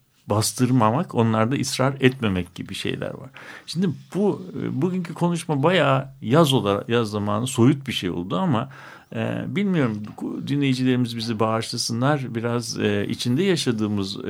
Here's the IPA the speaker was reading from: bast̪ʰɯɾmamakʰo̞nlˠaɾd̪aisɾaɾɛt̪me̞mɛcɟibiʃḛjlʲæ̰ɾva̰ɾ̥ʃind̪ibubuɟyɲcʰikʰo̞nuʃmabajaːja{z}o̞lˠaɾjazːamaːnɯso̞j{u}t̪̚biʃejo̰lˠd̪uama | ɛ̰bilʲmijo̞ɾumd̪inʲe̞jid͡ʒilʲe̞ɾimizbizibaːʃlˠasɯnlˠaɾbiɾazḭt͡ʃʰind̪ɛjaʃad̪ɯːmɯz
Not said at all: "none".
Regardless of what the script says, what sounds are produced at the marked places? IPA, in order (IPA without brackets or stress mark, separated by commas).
z, u